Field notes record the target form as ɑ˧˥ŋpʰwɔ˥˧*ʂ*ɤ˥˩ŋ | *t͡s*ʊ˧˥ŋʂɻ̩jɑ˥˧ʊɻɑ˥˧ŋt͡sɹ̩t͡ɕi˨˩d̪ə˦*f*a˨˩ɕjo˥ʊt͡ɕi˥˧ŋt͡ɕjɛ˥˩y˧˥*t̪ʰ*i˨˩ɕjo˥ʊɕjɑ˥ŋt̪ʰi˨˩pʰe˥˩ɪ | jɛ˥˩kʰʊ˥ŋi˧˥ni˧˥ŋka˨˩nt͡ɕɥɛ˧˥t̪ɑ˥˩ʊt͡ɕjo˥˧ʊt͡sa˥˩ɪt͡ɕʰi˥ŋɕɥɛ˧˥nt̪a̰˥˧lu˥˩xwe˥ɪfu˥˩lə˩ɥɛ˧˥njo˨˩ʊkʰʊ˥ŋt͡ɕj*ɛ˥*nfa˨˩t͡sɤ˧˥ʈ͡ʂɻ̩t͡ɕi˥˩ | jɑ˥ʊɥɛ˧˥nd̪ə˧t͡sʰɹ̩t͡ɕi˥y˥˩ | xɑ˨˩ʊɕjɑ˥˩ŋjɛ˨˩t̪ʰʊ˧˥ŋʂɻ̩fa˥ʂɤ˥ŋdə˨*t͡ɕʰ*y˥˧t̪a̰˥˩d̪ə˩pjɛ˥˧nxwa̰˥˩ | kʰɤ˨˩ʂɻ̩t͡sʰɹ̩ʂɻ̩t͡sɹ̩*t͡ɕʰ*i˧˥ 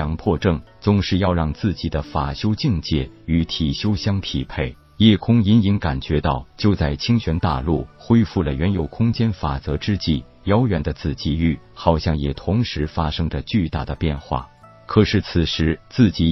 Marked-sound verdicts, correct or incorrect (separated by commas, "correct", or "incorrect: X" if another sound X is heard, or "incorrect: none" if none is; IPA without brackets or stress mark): incorrect: ʈ͡ʂ, correct, correct, correct, correct, incorrect: t͡ɕ, incorrect: t͡ɕ